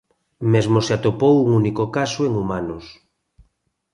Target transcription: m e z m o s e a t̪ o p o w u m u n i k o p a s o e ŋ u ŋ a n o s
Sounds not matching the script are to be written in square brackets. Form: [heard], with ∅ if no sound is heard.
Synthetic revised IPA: m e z m o s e a t̪ o p o w u [ŋ] u n i k o [k] a s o e ŋ u [m] a n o s